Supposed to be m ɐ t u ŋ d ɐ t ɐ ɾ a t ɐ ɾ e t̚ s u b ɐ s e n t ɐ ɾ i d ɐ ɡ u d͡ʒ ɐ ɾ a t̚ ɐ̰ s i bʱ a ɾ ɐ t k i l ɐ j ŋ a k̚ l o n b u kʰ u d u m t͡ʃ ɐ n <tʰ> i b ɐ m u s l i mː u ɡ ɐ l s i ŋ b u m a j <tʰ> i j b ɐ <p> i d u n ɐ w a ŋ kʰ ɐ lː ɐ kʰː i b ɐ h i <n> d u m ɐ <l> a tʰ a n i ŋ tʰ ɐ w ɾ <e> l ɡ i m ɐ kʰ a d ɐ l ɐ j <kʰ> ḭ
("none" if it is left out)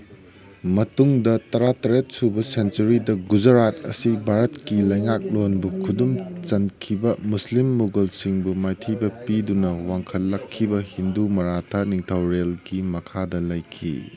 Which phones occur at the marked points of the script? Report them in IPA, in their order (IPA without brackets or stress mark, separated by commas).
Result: kʰ, tʰ, p, n, ɾ, e, kʰ